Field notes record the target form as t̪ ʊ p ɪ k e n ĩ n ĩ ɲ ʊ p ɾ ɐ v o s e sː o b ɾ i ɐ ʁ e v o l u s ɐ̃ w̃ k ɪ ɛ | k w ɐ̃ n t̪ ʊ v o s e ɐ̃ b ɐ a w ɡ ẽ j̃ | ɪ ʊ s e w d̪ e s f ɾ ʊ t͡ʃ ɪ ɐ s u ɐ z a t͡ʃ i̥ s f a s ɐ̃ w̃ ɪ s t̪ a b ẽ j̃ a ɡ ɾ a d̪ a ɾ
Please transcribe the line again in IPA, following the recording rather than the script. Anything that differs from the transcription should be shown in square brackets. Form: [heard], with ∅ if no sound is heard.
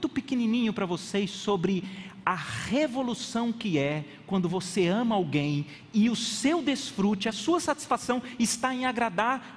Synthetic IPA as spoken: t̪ ʊ p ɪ k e n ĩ n ĩ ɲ ʊ p ɾ ɐ v o s e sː o b ɾ [ɪ] ɐ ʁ e v o l u s ɐ̃ w̃ k ɪ ɛ | k w ɐ̃ n [d̪] ʊ v o s e ɐ̃ [m] ɐ a w ɡ ẽ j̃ | ɪ ʊ s e w d̪ e s f ɾ [u] t͡ʃ ɪ ɐ s u ɐ [s] a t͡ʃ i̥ s f a s ɐ̃ w̃ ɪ s t̪ a [∅] ẽ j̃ a ɡ ɾ a d̪ a ɾ